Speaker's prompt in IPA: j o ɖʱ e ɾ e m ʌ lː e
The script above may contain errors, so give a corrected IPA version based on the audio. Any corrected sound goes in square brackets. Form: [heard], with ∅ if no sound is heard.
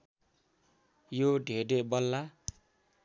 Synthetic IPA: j o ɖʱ e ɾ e [b] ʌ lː [a]